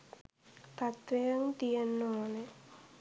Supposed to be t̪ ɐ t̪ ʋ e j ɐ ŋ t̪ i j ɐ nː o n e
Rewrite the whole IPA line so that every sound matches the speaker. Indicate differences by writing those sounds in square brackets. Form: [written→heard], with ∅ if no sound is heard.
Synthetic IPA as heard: t̪ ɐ t̪ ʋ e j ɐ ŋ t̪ i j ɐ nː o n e